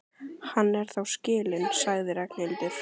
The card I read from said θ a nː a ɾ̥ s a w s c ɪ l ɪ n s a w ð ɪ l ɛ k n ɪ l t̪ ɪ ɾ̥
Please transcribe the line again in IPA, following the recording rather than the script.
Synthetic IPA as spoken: h a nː ɛ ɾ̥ θ a w s c ɪː l ɪ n s a ɣ ð ɪ ɾ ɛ k n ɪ l t̪ ɪ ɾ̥